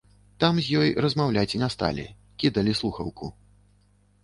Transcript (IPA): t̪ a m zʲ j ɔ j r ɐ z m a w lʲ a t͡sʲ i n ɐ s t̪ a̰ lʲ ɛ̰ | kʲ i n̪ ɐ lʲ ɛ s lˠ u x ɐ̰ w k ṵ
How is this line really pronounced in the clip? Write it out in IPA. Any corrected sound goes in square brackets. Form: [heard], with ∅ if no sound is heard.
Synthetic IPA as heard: t̪ a m zʲ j ɔ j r ɐ z m a w lʲ a t͡sʲ i n ɐ s t̪ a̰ lʲ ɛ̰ | kʲ i [d̪] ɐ lʲ [i] s lˠ u x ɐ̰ w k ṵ